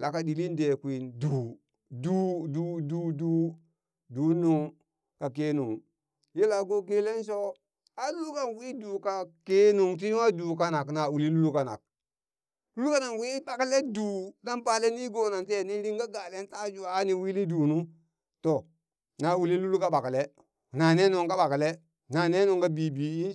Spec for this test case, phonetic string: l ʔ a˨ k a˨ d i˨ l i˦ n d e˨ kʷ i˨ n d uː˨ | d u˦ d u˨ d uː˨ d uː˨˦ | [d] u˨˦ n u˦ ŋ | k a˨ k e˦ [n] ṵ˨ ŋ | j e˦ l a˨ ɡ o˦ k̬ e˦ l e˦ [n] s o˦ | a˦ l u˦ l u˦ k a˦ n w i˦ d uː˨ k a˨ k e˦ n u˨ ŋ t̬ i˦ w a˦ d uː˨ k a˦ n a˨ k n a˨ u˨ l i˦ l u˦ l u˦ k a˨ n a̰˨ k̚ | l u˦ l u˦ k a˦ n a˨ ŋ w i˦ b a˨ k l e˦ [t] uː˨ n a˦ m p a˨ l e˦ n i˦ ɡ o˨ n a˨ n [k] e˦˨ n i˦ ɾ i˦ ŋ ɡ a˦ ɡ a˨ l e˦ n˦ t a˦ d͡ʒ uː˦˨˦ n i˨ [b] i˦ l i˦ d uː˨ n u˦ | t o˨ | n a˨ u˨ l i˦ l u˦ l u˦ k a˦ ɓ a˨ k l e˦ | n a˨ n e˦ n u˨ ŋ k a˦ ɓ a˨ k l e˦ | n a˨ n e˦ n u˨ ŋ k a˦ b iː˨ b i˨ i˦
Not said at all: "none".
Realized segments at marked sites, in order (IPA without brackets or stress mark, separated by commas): d, n, n, d, t, w